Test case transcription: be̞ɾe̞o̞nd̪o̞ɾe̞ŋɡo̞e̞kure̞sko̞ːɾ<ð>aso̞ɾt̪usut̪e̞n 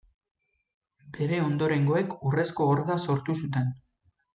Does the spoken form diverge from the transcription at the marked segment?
no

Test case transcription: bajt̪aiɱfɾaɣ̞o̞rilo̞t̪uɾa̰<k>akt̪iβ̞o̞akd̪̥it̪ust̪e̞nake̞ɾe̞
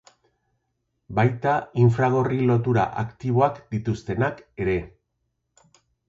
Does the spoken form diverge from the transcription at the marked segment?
yes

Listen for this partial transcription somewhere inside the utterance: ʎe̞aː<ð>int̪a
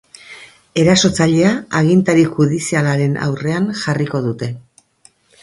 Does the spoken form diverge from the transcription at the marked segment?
yes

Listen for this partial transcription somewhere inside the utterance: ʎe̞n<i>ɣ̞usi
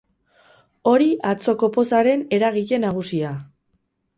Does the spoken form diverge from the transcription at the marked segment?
yes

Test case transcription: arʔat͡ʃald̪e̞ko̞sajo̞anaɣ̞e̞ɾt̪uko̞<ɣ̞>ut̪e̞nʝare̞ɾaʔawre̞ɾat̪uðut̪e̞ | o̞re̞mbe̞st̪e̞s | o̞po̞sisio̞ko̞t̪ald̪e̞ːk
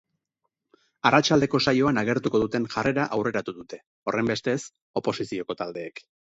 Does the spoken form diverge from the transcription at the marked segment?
yes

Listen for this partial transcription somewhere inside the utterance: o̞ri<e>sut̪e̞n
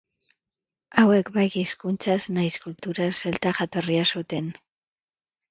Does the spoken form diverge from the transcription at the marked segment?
yes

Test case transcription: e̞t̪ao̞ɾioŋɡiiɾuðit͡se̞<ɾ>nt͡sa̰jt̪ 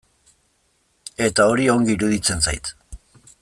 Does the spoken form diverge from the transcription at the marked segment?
yes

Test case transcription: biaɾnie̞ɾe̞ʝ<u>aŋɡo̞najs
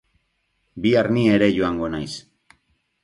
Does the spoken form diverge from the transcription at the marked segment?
yes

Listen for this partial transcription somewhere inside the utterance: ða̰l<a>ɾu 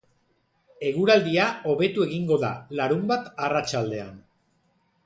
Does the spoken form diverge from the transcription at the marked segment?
no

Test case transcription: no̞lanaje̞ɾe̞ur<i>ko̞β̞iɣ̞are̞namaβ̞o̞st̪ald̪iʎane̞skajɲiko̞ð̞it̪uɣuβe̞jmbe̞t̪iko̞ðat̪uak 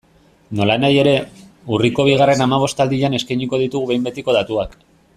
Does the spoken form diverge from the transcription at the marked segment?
no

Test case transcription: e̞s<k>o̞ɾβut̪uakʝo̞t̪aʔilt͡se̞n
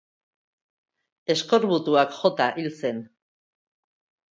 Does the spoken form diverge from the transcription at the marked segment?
no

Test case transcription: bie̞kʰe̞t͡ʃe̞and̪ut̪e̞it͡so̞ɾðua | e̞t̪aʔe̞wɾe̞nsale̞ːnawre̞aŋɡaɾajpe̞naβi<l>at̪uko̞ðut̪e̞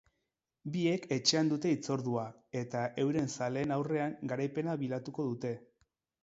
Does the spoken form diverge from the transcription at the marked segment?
no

